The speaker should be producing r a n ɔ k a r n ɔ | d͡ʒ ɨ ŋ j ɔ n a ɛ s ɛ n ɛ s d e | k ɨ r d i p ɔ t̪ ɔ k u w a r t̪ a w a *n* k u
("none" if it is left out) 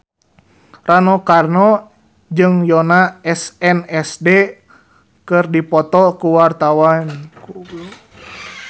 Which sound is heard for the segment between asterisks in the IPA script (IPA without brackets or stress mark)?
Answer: n